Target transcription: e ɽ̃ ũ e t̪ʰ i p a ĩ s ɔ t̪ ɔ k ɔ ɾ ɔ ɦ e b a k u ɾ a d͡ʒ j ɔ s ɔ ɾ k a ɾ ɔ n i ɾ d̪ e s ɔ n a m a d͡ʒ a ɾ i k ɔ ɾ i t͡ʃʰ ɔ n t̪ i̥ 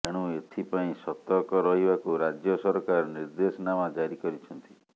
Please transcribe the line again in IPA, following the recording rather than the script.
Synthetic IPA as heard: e ɽ̃ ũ e t̪ʰ i p a ĩ s ɔ t̪ ɔ k ɔ ɾ ɔ ɦ i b a k u ɾ a d͡ʒ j ɔ s ɔ ɾ k a ɾ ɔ n i ɾ d̪ e s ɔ n a m a d͡ʒ a ɾ i k ɔ ɾ i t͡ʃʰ ɔ n t̪ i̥